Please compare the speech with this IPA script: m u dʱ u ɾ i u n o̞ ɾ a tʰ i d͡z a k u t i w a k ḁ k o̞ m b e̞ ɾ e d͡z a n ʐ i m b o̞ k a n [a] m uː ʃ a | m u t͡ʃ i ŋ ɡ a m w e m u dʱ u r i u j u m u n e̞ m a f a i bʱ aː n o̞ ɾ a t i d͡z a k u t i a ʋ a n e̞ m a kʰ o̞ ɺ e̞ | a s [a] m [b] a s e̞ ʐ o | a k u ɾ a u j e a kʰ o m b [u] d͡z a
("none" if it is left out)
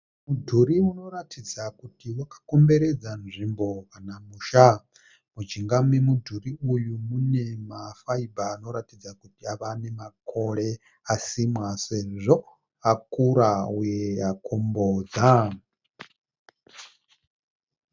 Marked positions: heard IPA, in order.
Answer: a, i, w, o

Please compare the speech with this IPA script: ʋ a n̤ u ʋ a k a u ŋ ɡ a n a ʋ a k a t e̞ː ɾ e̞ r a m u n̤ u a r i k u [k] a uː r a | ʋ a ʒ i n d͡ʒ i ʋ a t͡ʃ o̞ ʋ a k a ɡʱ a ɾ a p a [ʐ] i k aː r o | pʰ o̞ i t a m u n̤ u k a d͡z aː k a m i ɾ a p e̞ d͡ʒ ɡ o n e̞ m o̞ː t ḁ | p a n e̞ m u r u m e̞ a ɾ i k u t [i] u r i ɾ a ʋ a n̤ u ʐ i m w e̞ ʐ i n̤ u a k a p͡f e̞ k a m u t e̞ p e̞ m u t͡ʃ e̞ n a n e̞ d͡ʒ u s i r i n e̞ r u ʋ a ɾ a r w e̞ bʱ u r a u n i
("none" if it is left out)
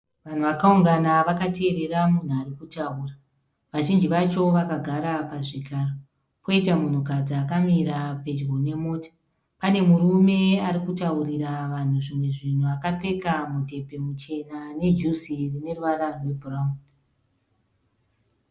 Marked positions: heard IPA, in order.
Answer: t, ʐ, a

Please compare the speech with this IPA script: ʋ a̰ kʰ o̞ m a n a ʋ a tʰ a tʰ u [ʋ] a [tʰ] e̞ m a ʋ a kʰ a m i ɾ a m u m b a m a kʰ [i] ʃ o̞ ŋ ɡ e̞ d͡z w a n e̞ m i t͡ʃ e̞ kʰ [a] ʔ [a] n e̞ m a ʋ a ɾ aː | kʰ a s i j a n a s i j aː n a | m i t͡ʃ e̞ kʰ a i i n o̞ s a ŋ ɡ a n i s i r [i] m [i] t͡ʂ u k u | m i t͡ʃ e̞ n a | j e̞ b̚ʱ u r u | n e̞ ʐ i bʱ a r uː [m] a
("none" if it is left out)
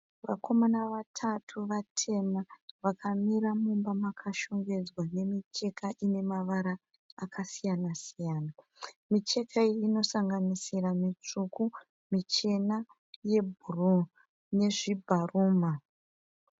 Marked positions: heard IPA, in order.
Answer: ʋ, tʰ, a, a, i, a, i, m

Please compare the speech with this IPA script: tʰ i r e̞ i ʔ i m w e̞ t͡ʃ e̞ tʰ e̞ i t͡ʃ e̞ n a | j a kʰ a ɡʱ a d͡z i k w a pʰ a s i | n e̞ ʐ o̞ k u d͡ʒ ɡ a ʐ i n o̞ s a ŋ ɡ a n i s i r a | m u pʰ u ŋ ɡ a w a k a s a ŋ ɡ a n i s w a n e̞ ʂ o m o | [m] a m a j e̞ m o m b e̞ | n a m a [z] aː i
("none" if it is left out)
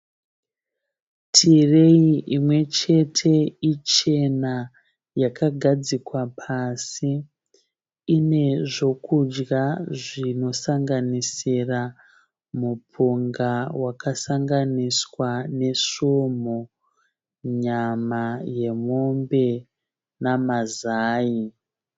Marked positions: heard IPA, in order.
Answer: ɲ, z

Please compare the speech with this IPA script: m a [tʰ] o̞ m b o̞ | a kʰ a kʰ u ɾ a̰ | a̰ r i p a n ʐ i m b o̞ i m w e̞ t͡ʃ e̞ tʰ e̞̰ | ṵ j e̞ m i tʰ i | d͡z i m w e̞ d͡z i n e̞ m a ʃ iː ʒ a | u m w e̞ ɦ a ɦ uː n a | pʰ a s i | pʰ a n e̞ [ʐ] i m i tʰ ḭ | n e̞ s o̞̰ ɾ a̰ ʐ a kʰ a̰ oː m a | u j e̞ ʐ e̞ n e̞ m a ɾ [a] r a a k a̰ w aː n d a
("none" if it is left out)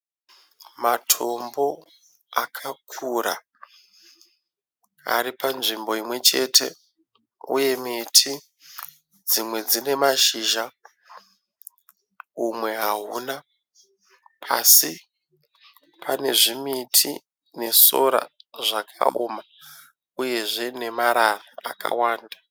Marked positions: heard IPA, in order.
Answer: tʰ, ʐ, a

